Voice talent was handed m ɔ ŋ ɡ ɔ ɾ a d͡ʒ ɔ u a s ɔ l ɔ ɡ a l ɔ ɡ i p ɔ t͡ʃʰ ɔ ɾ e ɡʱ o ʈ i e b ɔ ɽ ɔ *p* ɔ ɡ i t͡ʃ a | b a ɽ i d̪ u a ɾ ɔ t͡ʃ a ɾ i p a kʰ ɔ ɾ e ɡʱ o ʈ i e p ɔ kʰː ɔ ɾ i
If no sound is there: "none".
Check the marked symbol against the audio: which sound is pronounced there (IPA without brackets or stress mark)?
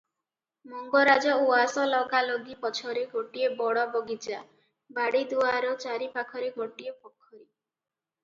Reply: b